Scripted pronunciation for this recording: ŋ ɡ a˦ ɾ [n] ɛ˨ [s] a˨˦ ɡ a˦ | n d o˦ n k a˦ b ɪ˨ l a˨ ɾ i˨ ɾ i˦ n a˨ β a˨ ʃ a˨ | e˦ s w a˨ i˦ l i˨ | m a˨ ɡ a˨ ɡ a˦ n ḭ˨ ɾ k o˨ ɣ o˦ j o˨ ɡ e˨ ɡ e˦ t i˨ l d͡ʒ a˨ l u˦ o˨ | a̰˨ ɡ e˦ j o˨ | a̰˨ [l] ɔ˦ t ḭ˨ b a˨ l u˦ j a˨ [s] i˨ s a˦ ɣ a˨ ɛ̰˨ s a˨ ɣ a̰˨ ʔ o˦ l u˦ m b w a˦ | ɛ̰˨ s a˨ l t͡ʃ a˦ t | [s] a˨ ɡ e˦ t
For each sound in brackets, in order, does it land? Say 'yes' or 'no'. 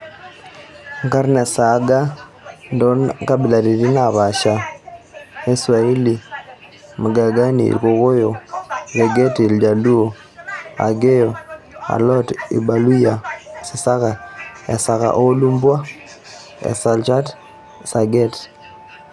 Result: yes, yes, yes, yes, yes

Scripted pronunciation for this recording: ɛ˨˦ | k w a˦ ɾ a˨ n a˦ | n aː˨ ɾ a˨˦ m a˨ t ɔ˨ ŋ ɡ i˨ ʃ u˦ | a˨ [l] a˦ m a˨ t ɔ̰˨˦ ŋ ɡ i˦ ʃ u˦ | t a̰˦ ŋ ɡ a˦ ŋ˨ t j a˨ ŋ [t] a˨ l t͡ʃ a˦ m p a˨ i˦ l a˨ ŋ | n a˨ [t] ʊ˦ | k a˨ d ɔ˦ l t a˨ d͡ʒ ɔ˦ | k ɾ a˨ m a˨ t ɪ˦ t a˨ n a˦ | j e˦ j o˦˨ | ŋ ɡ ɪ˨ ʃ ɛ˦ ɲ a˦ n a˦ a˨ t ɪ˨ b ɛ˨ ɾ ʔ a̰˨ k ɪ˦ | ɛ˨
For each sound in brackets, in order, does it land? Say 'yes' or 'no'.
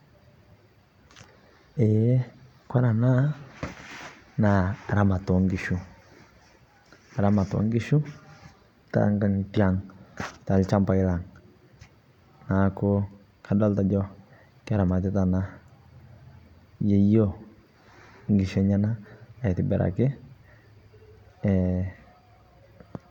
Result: no, yes, no

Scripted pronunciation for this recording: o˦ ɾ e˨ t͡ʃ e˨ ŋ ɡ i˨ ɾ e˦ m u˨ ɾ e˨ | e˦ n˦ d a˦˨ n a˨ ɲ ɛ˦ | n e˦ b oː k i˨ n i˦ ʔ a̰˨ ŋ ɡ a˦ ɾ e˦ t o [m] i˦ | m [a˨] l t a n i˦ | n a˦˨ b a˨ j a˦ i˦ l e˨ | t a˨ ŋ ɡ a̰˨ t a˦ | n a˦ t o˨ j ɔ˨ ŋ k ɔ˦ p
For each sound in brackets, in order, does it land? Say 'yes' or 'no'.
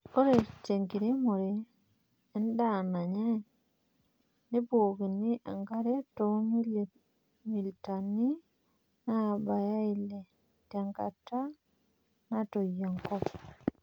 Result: yes, no

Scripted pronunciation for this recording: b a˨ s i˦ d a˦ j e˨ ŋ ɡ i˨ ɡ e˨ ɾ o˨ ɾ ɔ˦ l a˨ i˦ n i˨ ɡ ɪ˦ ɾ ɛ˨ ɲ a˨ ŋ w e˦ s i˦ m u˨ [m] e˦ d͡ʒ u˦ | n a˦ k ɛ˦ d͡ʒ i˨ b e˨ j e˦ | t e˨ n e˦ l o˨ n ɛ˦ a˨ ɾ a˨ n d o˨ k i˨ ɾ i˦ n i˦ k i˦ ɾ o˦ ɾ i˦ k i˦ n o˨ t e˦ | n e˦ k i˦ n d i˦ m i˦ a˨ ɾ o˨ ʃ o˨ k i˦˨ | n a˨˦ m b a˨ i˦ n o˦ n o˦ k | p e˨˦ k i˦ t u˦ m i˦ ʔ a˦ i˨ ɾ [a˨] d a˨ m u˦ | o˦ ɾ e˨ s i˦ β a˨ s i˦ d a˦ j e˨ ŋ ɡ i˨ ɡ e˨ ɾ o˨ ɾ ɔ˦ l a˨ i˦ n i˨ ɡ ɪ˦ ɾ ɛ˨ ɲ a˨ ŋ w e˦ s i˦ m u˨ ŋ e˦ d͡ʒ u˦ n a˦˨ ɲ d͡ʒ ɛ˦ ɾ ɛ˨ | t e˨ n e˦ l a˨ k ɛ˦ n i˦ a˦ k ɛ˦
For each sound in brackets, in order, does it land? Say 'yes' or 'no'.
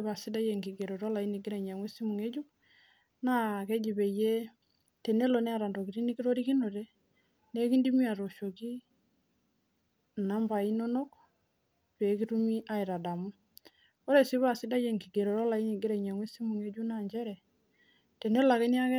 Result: no, yes

